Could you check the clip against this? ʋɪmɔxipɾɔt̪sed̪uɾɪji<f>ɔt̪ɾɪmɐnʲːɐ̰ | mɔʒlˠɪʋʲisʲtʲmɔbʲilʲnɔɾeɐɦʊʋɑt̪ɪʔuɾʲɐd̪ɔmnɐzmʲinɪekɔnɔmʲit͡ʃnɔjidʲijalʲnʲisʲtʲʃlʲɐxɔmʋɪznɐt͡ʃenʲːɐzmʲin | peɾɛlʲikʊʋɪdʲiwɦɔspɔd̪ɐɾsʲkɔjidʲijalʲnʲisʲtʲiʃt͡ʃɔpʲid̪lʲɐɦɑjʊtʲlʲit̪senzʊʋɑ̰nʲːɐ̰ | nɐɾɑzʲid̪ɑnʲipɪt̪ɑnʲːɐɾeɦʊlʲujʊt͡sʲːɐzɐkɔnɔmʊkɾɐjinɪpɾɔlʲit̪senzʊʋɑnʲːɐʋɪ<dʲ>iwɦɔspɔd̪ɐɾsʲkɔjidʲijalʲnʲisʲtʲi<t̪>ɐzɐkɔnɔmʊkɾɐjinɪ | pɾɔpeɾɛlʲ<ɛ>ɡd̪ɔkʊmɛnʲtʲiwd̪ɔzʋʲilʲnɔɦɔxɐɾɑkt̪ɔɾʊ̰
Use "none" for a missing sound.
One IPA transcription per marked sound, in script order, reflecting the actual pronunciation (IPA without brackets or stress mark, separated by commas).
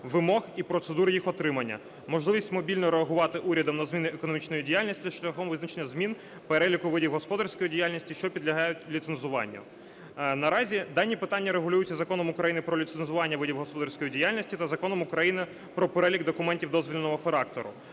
x, dʲ, t̪, i